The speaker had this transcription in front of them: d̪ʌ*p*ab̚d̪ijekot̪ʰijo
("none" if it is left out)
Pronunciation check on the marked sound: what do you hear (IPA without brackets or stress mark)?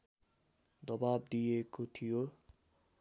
b